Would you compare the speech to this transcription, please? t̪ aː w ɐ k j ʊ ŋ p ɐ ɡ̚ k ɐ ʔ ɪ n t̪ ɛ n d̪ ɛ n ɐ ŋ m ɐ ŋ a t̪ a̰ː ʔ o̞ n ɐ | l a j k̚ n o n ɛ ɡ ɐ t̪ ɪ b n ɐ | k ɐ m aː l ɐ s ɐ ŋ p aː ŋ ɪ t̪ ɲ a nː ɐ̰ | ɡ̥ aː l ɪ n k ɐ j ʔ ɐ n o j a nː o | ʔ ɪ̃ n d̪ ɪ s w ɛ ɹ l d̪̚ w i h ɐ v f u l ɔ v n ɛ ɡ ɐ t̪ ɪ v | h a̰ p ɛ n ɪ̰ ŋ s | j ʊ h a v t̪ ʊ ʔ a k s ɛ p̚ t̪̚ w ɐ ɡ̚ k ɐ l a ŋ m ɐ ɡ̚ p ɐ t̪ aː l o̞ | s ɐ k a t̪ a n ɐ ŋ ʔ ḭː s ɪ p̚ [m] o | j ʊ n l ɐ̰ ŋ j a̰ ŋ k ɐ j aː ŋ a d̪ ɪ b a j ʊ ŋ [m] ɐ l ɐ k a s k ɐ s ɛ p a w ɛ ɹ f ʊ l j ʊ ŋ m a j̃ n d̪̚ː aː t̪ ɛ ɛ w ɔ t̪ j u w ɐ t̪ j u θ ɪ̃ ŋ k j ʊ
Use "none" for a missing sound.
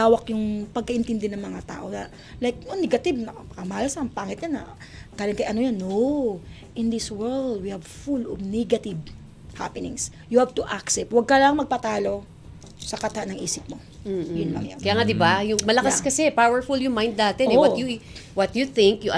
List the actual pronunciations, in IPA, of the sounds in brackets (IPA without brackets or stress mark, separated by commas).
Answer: m, m